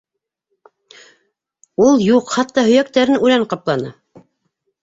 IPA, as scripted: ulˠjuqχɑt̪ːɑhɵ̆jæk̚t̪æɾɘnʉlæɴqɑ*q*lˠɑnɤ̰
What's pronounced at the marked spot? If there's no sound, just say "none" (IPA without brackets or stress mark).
p